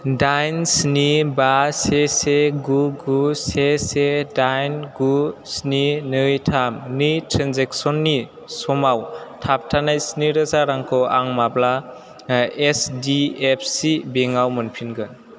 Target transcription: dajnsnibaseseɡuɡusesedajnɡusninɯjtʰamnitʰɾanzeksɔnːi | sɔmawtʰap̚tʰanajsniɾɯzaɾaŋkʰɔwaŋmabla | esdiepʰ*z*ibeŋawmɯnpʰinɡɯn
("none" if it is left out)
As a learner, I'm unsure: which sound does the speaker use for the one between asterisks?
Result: s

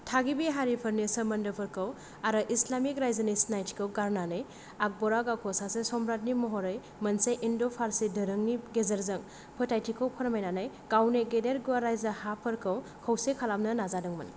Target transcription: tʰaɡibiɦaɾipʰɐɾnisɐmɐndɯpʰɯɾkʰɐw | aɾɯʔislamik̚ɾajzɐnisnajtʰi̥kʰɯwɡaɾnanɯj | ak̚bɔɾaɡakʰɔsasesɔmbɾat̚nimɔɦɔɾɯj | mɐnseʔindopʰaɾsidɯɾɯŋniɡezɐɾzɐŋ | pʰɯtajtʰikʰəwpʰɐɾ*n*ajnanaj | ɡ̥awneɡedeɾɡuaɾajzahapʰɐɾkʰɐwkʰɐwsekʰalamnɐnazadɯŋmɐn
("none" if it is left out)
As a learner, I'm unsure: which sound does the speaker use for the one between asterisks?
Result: m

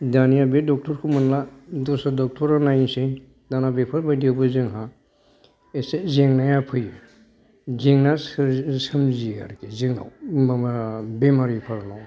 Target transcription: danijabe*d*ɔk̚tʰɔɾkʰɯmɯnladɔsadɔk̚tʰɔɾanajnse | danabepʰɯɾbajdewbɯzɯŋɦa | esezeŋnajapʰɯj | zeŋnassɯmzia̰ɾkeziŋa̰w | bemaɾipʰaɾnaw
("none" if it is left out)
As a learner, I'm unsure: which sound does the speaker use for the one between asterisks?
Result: d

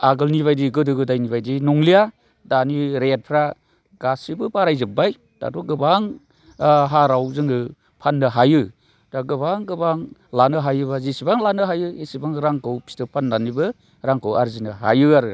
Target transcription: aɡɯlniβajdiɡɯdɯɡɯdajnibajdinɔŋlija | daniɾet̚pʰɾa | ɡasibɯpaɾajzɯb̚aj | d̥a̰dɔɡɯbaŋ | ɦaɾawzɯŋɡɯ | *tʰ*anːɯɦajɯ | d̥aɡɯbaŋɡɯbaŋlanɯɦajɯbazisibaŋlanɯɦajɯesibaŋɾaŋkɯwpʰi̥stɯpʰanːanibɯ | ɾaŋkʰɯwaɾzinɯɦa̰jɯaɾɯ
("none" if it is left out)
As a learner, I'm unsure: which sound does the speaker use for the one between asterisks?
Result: pʰ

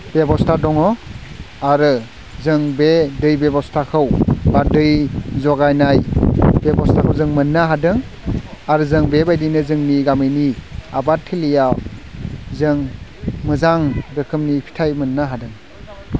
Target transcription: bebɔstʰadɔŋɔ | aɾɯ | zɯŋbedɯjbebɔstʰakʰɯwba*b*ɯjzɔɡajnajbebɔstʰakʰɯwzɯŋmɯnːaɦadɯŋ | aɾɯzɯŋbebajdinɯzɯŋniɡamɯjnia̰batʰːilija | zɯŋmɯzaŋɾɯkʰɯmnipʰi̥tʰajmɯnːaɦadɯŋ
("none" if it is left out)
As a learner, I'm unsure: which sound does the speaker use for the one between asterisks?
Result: d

